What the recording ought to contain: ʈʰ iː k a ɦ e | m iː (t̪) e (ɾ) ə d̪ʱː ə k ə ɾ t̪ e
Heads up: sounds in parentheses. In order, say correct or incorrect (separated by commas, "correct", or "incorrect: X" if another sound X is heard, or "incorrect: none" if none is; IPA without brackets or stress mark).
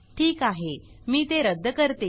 correct, correct